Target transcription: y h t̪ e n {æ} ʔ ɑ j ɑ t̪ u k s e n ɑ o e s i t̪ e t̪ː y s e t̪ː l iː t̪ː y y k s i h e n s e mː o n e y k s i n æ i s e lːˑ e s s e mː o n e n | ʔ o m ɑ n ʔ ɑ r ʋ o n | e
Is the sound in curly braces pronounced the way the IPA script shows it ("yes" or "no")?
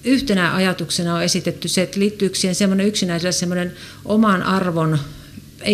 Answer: yes